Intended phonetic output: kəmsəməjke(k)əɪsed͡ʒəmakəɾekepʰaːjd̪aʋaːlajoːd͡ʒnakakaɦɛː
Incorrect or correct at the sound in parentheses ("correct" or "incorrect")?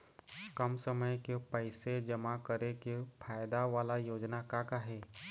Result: incorrect